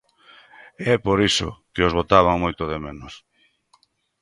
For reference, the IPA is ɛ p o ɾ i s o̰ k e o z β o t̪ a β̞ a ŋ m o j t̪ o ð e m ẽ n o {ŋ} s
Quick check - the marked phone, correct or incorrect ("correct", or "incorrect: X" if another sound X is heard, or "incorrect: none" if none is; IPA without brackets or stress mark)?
incorrect: none